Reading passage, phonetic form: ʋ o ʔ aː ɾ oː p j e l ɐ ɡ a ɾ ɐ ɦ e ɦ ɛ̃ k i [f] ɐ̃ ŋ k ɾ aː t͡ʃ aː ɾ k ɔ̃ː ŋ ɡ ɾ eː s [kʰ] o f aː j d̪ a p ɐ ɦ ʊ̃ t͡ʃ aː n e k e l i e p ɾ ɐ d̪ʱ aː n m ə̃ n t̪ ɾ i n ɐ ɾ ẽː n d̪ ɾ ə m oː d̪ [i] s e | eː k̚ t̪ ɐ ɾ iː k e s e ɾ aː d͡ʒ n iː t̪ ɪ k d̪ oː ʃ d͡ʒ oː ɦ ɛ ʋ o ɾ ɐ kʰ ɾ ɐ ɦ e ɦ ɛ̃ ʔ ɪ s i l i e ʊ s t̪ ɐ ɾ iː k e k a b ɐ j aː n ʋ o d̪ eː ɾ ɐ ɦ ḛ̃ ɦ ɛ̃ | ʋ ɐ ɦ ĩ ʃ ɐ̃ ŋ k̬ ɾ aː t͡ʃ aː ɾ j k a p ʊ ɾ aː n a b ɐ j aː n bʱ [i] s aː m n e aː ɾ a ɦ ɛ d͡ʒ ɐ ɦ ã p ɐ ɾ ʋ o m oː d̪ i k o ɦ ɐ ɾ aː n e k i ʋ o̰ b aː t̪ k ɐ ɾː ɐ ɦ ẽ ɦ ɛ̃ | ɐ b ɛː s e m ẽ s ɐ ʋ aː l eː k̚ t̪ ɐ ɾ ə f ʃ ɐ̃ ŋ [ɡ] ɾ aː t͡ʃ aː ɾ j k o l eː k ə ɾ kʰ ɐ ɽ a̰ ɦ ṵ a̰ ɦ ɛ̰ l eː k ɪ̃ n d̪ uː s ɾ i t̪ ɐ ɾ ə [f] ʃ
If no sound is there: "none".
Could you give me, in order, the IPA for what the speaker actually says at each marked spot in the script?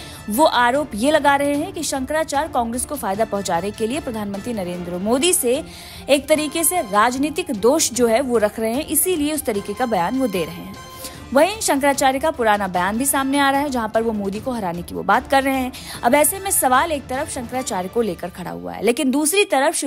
ʃ, k, i, i, k, f

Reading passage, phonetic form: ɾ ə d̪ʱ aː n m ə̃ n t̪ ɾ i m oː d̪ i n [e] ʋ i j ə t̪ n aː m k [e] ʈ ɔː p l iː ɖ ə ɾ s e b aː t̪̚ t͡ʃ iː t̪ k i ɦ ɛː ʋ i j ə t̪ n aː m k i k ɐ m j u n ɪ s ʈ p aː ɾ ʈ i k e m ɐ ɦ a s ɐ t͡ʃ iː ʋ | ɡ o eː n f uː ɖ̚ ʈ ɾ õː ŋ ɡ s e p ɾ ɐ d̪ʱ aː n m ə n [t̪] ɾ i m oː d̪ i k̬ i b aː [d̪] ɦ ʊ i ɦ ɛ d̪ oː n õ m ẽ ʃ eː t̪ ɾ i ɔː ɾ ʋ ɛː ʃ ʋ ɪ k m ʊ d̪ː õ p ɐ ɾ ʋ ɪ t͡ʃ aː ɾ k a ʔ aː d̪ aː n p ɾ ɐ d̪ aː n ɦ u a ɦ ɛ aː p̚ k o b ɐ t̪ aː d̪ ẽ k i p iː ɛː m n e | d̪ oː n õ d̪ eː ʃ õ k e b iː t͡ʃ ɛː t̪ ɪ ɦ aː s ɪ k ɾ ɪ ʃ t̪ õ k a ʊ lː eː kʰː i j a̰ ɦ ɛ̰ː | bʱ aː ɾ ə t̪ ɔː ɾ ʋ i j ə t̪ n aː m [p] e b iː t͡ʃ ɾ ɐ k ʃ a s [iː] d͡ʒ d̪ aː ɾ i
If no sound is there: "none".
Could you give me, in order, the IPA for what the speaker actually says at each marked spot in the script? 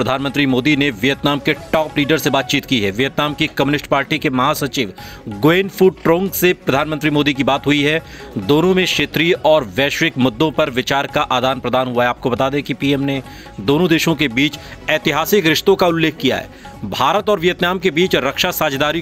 e, e, t̪, t̪, k, aː

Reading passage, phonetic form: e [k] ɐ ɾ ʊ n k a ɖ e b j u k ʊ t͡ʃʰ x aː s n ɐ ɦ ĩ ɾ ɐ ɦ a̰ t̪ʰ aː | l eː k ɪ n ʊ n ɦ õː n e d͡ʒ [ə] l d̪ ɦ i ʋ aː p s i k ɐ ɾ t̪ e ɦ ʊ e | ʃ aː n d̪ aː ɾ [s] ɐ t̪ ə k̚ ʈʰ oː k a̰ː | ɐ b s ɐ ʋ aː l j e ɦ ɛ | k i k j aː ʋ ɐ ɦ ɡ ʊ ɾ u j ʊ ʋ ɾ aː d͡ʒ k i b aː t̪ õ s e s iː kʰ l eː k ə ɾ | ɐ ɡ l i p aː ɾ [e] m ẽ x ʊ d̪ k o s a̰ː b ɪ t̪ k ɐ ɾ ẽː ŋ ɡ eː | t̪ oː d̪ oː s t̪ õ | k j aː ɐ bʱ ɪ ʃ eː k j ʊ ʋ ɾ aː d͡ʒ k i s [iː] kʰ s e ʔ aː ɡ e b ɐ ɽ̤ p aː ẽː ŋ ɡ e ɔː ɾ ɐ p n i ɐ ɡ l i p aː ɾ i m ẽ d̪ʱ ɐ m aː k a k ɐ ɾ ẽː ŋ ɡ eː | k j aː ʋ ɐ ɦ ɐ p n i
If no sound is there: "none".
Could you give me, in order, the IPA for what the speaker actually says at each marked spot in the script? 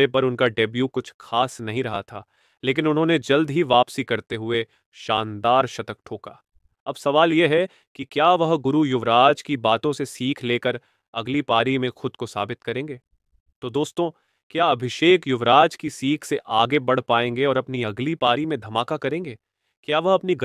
p, ɐ, ʃ, i, iː

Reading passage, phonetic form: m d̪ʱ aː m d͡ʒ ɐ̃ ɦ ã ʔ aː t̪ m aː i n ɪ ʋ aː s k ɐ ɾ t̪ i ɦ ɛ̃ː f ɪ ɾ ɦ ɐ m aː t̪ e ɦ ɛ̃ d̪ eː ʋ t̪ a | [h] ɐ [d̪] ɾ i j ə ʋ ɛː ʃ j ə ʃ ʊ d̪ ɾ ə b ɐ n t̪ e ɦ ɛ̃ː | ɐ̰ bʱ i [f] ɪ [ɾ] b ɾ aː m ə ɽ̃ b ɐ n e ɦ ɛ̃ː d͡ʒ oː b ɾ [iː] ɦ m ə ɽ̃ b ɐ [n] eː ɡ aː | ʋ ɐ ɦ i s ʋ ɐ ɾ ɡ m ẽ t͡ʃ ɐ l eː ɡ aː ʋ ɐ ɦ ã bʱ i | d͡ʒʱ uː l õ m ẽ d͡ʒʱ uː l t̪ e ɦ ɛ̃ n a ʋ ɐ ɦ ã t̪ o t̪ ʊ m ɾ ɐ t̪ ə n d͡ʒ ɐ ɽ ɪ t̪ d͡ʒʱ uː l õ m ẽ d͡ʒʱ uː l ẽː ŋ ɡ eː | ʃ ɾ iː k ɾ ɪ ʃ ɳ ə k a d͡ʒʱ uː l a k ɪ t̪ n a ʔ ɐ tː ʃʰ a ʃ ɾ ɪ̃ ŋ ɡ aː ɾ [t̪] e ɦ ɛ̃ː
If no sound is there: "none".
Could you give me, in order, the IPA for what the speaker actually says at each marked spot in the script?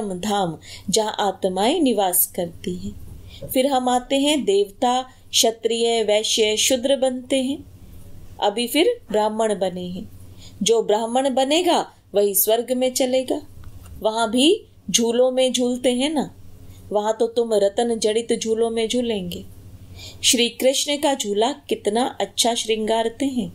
ʃ, t̪, f, ɾ, aː, n, t̪

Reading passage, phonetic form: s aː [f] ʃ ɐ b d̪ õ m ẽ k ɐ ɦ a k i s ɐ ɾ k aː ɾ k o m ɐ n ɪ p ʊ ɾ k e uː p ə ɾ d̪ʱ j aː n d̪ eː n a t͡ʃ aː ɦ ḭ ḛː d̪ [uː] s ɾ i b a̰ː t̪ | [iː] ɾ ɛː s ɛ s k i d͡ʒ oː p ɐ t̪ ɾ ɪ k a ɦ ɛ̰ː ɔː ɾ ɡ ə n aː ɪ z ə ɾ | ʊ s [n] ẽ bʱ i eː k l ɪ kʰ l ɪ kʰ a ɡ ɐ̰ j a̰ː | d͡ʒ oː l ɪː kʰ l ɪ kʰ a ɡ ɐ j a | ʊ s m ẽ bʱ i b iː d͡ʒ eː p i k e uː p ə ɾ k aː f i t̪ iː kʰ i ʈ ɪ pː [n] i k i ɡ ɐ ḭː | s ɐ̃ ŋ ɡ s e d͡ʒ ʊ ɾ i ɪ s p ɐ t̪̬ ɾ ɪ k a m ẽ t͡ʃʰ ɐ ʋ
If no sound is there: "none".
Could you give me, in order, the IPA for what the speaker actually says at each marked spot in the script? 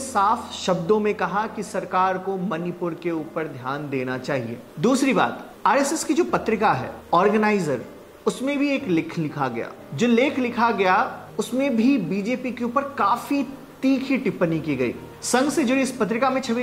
f, uː, aː, m, n

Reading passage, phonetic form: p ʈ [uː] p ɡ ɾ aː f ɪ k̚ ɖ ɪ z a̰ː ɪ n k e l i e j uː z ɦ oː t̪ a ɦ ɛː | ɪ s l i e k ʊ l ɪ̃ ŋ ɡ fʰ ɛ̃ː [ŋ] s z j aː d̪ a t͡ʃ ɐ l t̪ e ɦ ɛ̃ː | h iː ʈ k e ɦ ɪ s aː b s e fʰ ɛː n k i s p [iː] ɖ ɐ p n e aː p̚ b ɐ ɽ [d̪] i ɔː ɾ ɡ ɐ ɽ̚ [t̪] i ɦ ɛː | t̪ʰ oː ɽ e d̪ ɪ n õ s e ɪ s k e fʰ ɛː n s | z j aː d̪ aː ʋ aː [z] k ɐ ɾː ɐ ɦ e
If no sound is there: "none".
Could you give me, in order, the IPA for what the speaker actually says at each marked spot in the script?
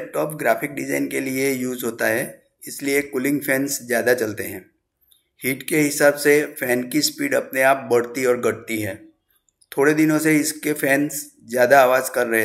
ɔː, n, iː, t̪, t̪, z

